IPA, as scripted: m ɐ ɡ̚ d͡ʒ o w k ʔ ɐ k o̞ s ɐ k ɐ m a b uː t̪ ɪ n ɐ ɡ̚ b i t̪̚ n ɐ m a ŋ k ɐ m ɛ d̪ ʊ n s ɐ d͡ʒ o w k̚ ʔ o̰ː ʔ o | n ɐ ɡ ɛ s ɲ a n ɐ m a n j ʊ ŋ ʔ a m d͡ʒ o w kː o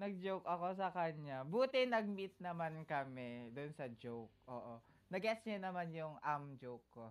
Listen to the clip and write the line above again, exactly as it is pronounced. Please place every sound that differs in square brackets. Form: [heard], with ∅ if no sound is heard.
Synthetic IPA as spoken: [n] ɐ ɡ̚ d͡ʒ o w k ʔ ɐ k o̞ s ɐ k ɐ [ɲ] a b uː t̪ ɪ n ɐ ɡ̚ [m] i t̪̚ n ɐ m a [n] k ɐ m ɛ d̪ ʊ n s ɐ d͡ʒ o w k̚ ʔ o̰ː ʔ o | n ɐ ɡ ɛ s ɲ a n ɐ m a n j ʊ ŋ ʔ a m d͡ʒ o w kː o